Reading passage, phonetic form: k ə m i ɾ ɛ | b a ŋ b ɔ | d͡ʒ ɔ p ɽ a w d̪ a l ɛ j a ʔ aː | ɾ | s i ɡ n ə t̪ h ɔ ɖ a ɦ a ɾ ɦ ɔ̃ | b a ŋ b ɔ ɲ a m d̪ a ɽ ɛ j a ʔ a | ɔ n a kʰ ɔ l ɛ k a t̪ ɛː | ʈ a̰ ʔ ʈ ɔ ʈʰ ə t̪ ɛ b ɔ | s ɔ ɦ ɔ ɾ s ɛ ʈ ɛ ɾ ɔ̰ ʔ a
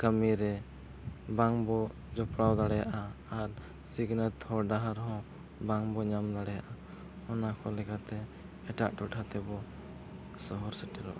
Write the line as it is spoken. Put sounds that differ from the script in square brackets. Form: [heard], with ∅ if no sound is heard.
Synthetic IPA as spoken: k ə m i ɾ ɛ | b a ŋ b ɔ | d͡ʒ ɔ p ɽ a w d̪ a [ɽ] ɛ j a ʔ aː | ɾ | s i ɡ n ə t̪ h ɔ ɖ a ɦ a ɾ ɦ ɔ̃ | b a ŋ b ɔ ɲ a m d̪ a ɽ ɛ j a ʔ a | ɔ n a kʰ ɔ l ɛ k a t̪ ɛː | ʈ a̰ ʔ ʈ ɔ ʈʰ [a] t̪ ɛ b ɔ | s ɔ ɦ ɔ ɾ s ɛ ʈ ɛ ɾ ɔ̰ ʔ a